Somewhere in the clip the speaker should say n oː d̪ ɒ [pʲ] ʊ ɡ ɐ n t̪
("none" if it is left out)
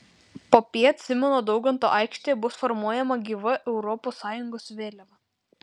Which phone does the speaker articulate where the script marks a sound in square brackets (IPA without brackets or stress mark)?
none